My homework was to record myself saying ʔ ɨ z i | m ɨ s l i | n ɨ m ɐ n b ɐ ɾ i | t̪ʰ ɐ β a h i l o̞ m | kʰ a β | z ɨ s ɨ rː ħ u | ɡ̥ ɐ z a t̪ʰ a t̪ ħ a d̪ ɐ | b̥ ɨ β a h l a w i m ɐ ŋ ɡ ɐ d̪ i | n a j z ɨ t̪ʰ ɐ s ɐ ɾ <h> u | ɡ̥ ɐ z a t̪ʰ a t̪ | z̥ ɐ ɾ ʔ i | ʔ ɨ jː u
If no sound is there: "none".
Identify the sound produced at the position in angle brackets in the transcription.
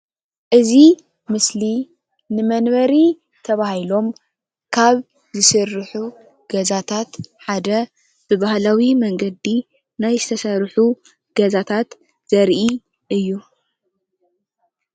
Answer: ħ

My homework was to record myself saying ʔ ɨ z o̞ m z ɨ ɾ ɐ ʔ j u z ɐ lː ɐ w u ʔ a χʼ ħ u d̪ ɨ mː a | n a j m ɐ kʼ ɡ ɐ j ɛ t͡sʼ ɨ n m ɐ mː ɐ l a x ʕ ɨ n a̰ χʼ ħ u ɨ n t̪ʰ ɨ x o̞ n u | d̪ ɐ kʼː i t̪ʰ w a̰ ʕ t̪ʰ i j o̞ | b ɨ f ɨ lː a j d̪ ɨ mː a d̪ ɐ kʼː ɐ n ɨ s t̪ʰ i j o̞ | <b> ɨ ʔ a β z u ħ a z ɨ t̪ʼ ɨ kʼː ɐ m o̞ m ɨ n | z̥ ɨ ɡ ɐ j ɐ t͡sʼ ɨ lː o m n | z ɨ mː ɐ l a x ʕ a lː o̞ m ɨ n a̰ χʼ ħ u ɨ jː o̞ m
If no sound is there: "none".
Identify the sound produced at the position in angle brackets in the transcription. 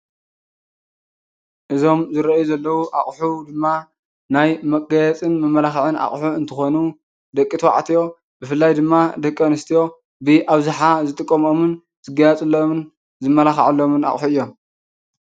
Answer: b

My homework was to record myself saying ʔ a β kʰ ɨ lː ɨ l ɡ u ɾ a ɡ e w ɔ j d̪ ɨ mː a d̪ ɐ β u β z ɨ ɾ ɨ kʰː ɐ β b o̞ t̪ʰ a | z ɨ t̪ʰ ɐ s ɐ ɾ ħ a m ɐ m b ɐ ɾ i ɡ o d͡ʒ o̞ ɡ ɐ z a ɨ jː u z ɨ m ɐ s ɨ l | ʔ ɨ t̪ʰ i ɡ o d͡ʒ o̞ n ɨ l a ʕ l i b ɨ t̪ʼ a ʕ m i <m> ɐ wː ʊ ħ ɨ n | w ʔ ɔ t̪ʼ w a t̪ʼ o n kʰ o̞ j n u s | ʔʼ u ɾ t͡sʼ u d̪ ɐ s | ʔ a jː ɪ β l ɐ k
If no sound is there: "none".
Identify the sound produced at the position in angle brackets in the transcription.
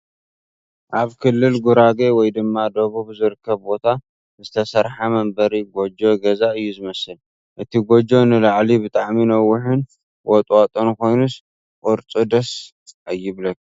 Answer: n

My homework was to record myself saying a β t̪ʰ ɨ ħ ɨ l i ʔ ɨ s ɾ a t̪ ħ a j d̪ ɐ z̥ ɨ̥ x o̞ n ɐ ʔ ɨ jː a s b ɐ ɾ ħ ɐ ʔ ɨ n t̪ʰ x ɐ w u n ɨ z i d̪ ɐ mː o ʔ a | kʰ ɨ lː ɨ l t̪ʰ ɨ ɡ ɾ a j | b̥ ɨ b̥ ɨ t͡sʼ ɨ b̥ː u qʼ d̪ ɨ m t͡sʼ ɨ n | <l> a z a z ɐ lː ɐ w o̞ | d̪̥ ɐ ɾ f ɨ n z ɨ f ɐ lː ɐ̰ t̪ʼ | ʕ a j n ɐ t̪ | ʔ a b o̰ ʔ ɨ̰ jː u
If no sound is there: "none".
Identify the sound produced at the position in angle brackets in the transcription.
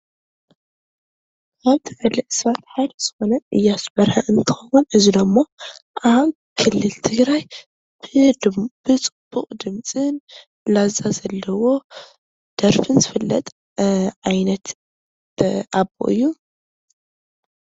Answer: l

